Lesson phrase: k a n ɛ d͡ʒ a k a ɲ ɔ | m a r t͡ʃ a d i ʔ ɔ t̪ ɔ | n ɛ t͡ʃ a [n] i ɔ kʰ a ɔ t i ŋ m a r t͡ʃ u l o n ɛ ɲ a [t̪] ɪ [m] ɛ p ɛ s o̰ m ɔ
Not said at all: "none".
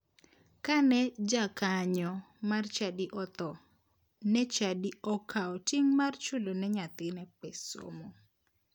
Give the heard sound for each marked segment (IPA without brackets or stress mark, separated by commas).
d, t̪, n